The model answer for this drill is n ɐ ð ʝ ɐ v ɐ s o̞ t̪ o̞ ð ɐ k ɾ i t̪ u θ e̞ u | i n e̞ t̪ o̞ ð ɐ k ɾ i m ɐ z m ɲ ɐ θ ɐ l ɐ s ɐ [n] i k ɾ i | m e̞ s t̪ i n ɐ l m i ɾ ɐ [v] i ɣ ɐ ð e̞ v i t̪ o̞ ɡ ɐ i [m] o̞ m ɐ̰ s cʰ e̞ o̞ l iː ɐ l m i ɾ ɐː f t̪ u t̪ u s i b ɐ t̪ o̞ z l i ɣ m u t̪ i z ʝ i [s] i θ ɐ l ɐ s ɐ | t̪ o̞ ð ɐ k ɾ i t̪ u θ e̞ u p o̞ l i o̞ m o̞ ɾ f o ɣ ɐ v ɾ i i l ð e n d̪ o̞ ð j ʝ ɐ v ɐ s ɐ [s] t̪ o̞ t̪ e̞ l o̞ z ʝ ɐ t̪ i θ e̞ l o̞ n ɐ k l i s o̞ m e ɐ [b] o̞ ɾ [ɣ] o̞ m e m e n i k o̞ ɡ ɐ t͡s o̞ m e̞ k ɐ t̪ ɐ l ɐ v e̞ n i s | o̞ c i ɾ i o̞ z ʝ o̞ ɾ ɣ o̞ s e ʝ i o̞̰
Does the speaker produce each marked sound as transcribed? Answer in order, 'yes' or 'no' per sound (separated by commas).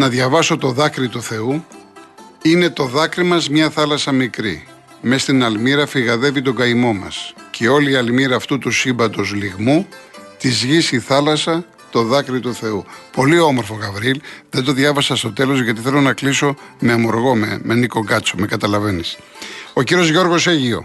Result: no, no, yes, yes, yes, no, yes